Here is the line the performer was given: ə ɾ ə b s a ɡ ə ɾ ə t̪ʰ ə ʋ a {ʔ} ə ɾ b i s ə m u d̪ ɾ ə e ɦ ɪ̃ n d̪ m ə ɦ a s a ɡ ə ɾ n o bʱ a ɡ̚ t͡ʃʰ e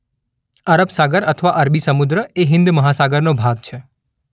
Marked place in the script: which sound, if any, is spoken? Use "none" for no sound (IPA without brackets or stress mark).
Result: ʔ